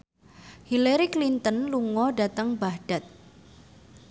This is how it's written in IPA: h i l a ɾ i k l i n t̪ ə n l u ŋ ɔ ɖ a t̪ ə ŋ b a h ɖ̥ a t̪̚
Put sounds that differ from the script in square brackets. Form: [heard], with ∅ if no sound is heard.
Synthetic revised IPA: h i l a ɾ i k l i n t̪ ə n l u ŋ ɔ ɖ a t̪ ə ŋ b a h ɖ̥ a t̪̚